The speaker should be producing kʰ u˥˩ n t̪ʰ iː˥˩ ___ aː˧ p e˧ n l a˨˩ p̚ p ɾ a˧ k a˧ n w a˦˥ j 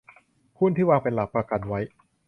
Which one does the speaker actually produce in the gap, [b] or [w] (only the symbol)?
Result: w